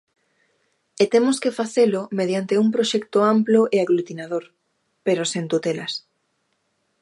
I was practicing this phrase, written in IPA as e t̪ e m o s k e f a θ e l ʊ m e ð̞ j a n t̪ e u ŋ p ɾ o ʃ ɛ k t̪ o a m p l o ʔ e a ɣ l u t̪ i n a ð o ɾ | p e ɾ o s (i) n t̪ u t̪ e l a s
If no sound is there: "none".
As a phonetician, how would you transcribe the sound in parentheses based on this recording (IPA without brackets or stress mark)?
e